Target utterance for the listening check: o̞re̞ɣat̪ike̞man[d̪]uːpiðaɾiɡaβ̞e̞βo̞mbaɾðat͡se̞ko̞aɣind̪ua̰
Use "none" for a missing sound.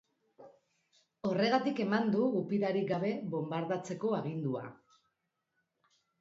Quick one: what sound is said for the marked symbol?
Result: d̪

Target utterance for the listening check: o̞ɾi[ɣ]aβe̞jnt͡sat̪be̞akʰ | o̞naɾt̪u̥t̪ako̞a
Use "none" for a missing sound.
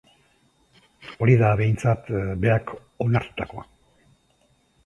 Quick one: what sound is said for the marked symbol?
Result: ð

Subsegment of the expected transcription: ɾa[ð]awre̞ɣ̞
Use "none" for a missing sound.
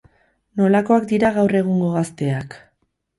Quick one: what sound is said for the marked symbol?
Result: ɣ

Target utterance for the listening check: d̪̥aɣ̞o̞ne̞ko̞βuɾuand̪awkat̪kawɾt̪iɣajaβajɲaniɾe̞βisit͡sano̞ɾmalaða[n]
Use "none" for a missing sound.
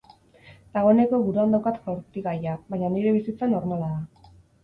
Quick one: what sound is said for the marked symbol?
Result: none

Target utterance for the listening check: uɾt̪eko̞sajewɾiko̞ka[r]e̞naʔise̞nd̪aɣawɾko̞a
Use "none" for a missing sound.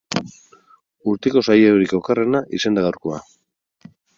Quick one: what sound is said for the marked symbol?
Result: r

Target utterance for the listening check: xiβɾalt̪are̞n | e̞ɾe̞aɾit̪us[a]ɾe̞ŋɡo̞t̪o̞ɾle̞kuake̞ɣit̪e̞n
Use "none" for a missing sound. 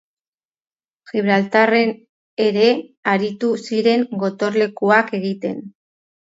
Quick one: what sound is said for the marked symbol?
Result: i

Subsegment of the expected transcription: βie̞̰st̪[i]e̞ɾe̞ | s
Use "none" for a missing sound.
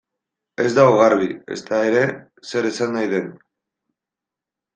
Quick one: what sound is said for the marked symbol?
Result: a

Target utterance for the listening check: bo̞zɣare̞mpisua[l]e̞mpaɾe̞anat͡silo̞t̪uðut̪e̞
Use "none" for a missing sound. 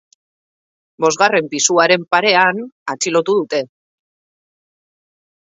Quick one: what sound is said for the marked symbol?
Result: ɾ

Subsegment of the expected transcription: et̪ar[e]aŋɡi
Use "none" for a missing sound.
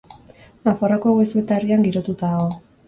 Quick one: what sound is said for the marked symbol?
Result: i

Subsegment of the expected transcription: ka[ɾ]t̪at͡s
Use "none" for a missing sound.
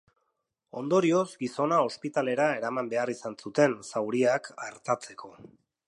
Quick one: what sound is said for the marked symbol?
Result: ɾ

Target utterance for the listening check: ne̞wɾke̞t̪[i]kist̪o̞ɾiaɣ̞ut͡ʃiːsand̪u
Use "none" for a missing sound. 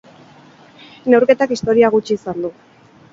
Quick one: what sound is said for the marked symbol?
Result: a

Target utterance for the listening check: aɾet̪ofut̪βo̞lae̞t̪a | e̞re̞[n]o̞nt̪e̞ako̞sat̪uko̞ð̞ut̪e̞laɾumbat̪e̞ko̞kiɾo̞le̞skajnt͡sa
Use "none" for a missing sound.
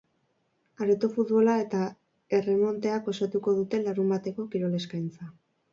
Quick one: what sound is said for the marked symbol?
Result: m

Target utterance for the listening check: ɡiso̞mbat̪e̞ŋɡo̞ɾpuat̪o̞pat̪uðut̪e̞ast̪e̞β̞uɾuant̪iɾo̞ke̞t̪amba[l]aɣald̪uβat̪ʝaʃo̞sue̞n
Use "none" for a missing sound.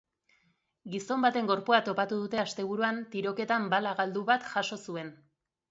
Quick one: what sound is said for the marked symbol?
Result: l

